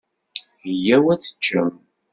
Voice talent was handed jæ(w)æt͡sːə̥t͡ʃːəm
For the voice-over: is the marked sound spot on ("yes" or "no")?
yes